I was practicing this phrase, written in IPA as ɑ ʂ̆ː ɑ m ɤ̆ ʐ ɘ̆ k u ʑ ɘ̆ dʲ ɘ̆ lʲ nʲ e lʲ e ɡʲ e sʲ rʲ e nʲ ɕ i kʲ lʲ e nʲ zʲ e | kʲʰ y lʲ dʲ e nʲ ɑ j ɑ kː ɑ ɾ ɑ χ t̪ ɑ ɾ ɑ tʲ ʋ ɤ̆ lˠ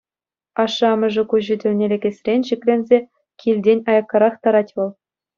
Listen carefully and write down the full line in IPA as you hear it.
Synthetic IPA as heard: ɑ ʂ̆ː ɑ m ɤ̆ ʐ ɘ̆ k u ʑ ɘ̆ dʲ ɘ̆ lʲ nʲ e lʲ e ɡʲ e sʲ rʲ e nʲ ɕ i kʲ lʲ e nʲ zʲ e | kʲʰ i lʲ dʲ e nʲ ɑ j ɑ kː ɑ ɾ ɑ χ t̪ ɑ ɾ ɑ tʲ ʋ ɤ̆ lˠ